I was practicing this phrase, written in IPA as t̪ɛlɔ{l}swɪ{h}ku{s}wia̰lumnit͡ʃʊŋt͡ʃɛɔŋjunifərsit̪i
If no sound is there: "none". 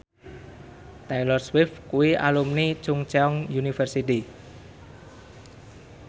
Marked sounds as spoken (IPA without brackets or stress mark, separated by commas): r, f, none